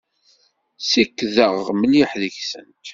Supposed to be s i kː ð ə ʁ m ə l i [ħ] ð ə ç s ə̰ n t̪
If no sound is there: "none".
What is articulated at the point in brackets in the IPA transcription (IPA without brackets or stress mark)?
ħ